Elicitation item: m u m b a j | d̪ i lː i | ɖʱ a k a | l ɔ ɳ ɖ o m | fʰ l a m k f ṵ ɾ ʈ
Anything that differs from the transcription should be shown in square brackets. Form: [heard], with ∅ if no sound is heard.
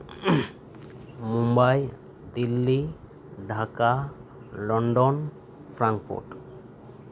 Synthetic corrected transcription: m u m b a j | d̪ i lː i | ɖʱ a k a | l ɔ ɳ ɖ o [n] | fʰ [ɾ] a [ŋ] k f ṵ ɾ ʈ